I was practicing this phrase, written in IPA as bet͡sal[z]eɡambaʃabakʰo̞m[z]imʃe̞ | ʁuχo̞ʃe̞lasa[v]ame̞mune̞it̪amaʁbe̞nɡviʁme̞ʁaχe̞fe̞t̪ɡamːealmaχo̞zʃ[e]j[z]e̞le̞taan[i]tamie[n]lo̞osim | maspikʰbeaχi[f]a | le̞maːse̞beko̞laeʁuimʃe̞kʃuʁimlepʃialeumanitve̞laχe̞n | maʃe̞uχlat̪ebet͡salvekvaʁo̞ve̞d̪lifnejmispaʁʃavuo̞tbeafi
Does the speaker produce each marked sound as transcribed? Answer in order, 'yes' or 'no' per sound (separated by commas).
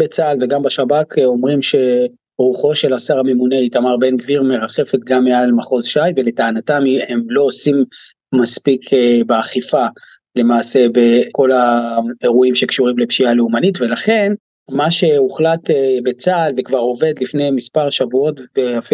no, no, no, no, no, no, no, yes